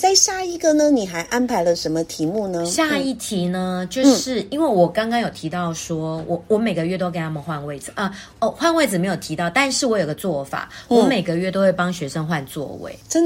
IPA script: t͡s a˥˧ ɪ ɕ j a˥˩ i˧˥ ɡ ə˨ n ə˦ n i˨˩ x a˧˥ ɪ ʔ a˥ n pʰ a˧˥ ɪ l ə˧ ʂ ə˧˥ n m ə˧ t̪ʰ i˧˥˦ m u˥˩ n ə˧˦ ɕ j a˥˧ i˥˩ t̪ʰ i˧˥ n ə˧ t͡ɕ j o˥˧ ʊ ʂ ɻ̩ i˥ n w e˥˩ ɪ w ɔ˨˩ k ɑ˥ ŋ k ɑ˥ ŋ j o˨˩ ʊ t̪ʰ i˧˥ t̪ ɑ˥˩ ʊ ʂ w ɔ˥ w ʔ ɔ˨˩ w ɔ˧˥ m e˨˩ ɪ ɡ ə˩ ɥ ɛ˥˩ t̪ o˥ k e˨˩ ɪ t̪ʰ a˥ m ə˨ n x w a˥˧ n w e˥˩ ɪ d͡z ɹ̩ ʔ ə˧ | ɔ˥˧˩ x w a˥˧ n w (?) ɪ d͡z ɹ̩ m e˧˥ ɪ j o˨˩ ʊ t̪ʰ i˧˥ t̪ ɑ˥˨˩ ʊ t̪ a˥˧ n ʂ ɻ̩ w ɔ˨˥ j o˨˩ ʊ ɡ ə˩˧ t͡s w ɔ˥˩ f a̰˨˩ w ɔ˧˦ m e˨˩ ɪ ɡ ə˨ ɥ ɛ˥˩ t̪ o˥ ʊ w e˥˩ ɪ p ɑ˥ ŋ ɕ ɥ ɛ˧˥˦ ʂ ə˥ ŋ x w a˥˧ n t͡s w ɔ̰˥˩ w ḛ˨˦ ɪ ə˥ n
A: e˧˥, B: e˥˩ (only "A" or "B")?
B